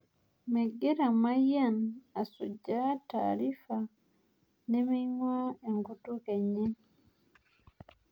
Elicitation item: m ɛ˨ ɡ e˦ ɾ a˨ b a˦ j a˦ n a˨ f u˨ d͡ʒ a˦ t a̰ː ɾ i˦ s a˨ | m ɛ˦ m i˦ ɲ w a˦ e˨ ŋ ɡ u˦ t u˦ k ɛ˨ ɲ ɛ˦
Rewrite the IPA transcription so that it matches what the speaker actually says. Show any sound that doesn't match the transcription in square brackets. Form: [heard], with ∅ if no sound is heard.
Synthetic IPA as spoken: m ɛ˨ ɡ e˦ ɾ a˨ [m] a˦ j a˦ n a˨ [s] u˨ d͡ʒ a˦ t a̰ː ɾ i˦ [f] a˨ | [n] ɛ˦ m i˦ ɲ w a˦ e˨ ŋ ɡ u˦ t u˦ k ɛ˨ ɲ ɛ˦